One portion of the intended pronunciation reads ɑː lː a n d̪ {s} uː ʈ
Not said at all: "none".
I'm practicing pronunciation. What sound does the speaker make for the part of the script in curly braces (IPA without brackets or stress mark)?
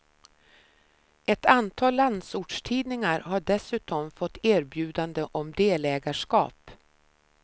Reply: s